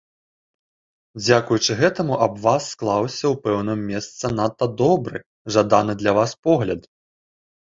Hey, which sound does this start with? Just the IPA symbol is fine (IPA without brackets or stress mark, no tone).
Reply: d͡zʲ